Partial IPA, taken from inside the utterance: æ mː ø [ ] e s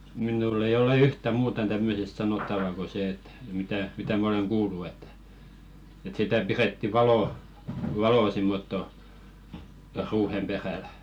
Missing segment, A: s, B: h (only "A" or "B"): A